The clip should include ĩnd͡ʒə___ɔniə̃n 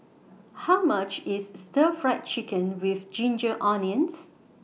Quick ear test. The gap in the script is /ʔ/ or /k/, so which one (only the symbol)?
ʔ